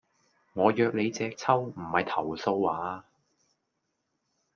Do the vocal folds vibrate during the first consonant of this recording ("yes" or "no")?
yes